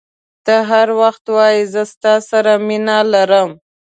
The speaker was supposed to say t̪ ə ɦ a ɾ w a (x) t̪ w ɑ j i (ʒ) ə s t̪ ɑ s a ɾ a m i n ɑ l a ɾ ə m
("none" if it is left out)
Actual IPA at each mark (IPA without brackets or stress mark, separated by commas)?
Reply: x, z